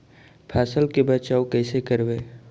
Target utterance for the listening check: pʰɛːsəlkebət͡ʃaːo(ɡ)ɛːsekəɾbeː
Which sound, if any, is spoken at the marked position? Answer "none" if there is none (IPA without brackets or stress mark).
k